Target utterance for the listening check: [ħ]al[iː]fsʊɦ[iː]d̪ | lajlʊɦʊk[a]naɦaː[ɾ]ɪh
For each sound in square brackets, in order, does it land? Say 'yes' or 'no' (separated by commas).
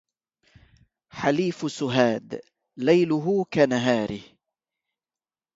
yes, yes, no, yes, yes